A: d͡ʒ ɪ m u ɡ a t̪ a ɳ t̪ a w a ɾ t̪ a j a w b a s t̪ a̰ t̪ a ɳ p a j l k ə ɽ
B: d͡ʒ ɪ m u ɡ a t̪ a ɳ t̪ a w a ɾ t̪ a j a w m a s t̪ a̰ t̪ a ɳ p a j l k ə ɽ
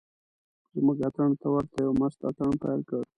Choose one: B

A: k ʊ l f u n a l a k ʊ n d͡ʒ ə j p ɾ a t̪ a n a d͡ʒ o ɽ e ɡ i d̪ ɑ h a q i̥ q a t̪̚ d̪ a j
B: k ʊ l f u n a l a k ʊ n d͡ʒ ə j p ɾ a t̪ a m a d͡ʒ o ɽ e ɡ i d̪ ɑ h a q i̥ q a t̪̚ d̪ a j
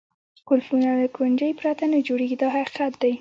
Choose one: A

